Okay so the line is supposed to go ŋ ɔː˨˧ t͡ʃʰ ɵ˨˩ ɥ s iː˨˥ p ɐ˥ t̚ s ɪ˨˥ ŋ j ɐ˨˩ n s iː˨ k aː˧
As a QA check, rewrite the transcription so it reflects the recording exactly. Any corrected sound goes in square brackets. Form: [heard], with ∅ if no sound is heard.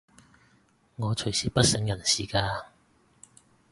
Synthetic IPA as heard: ŋ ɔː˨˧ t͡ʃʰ ɵ˨˩ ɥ s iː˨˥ p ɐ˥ t̚ s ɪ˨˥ ŋ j ɐ˨˩ n s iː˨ k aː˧

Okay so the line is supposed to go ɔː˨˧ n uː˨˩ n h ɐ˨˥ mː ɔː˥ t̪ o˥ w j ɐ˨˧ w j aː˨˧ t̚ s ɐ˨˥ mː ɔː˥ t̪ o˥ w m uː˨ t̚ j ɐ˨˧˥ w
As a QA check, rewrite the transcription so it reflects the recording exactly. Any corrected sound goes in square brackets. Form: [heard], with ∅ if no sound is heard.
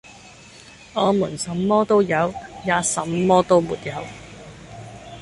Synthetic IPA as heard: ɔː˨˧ [m] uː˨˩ n [s] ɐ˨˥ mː ɔː˥ t̪ o˥ w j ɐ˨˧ w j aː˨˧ [∅] s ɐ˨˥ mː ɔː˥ t̪ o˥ w m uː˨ t̚ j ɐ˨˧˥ w

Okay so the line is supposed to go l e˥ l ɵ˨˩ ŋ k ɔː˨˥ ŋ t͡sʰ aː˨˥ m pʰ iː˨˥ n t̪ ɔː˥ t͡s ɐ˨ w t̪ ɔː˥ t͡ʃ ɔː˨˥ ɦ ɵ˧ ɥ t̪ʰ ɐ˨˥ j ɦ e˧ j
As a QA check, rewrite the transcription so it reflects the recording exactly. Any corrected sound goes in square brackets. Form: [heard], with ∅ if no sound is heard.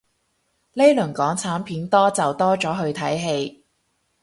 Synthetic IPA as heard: l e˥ l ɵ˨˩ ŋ k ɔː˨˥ ŋ t͡sʰ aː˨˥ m pʰ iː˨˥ n t̪ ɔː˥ t͡s ɐ˨ w t̪ ɔː˥ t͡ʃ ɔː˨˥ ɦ ɵ˧ ɥ t̪ʰ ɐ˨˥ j ɦ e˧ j

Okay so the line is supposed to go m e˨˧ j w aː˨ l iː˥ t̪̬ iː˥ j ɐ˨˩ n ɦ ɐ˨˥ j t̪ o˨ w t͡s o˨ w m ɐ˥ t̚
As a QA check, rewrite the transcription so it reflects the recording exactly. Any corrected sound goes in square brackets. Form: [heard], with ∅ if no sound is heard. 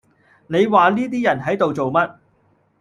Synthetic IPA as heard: [n] e˨˧ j w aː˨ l iː˥ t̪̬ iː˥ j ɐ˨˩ n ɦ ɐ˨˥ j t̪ o˨ w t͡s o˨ w m ɐ˥ t̚

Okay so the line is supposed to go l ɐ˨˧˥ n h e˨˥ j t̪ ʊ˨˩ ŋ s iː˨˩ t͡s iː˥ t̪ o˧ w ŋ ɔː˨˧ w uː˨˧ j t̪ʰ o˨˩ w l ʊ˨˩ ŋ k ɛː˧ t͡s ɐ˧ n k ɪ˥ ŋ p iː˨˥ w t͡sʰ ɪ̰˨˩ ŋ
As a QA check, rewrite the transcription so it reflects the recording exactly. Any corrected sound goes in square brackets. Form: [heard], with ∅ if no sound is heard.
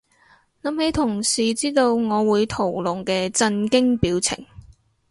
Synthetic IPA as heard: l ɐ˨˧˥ [m] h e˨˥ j [t̪ʰ] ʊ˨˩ ŋ s iː˨˩ t͡s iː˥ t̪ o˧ w ŋ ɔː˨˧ w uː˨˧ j t̪ʰ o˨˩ w l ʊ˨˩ ŋ k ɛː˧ t͡s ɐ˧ n k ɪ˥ ŋ p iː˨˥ w t͡sʰ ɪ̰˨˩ ŋ

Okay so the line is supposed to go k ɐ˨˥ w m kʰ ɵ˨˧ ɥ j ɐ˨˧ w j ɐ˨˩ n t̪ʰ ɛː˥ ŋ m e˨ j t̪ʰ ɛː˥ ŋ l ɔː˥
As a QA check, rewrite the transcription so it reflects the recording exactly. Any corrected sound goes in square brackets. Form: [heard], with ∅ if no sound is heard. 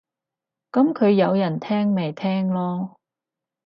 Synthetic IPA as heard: k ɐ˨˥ [∅] m kʰ ɵ˨˧ ɥ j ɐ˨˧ w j ɐ˨˩ n t̪ʰ ɛː˥ ŋ m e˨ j t̪ʰ ɛː˥ ŋ l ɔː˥

